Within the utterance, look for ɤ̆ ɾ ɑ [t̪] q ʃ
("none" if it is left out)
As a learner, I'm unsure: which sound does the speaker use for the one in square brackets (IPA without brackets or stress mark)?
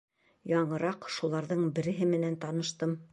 none